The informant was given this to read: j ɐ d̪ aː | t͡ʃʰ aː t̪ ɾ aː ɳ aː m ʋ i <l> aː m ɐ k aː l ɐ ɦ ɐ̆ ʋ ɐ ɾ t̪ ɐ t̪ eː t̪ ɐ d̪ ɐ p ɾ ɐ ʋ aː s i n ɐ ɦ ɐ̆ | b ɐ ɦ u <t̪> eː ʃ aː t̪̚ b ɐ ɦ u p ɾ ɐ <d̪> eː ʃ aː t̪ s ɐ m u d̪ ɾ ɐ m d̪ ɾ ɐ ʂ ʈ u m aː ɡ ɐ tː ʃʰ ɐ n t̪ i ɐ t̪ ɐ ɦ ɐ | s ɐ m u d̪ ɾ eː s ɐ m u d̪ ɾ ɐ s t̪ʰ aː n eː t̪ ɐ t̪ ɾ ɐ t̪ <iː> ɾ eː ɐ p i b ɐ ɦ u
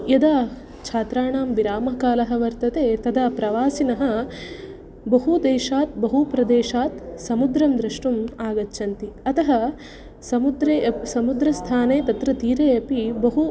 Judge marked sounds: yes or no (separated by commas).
no, no, yes, yes